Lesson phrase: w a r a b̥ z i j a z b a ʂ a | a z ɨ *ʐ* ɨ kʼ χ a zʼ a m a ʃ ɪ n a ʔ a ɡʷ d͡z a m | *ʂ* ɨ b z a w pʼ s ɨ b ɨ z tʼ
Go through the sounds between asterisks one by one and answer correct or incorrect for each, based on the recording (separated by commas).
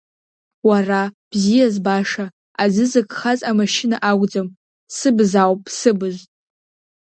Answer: incorrect, incorrect